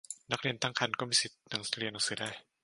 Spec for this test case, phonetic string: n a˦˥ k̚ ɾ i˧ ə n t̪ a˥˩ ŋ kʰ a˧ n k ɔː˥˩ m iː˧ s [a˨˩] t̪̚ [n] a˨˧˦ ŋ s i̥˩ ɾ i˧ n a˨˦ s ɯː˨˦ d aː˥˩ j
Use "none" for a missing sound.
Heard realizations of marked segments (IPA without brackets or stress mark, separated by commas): i˨˩, n